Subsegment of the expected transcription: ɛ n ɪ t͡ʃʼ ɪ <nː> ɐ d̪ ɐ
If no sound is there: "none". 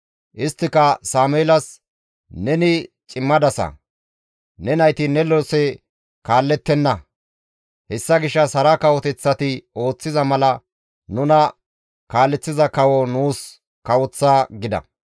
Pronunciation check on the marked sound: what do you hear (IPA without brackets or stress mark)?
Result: mː